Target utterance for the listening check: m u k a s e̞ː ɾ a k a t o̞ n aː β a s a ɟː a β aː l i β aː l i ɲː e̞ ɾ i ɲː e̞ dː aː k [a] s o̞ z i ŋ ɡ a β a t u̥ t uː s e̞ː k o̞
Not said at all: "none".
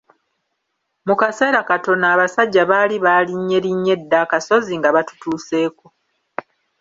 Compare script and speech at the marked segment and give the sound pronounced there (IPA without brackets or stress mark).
a